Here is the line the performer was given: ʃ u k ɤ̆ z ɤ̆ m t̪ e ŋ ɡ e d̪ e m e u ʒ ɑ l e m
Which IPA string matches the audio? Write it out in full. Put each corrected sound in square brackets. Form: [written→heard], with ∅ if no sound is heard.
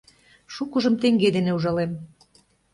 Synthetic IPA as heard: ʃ u k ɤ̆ [z→ʒ] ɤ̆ m t̪ e ŋ ɡ e d̪ e [m→n] e u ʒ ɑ l e m